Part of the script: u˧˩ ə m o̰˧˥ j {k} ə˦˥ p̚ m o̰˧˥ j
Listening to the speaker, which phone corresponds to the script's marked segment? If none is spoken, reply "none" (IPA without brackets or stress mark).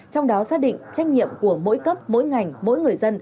k